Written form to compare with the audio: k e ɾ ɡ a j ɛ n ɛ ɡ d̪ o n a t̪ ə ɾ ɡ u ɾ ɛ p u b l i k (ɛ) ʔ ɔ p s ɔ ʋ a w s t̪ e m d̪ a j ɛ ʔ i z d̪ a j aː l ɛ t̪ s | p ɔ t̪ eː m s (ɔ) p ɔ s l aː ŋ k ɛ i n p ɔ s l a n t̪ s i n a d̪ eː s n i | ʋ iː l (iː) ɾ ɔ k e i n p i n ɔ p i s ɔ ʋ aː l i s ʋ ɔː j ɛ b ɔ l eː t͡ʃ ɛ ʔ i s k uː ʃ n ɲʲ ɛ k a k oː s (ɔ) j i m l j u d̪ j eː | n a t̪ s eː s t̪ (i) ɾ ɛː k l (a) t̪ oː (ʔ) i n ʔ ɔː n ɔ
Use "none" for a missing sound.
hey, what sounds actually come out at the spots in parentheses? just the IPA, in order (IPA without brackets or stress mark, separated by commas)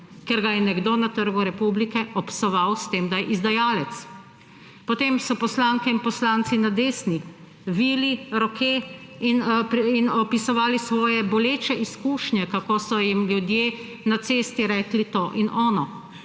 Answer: ɛ, ɔ, i, ɔ, i, i, ʔ